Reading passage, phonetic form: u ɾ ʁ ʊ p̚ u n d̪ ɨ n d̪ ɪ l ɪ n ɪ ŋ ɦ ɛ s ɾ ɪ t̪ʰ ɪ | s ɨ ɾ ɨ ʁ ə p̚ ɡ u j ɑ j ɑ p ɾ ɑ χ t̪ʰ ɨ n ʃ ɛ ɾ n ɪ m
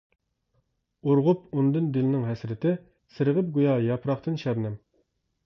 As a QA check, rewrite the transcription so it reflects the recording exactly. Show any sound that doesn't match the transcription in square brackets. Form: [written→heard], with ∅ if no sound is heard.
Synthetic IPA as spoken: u ɾ ʁ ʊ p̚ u n d̪ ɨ n d̪ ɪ l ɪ n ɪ ŋ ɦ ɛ s ɾ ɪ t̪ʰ ɪ | s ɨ ɾ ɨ ʁ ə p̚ ɡ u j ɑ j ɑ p ɾ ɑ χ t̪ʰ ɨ n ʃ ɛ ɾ n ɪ m